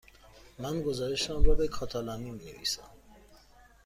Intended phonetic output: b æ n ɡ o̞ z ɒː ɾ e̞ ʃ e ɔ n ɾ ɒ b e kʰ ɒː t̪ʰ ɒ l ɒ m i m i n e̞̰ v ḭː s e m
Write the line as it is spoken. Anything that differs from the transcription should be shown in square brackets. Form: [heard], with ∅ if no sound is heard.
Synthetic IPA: [m] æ n ɡ o̞ z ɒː ɾ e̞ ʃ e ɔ n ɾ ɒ b e kʰ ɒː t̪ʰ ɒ l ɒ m i m i n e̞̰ v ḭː s [æ] m